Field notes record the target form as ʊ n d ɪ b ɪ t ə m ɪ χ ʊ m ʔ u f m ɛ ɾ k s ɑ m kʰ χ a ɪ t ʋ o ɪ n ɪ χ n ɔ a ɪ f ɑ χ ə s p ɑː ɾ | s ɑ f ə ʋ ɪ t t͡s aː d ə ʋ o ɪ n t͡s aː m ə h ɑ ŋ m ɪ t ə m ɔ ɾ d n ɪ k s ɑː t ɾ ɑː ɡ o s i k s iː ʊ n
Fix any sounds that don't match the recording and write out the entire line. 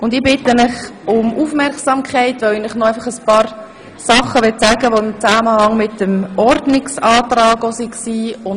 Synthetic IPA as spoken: ʊ n d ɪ b ɪ t ə m ɪ χ ʊ m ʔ u f m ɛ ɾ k s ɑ m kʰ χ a ɪ t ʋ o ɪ n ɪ χ n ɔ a ɪ f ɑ χ ə s p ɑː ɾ | s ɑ χ ə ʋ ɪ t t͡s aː ɡ ə ʋ o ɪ m t͡s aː m ə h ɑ ŋ m ɪ t ə m ɔ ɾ d n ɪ k s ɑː t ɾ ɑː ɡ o s i k s iː ʊ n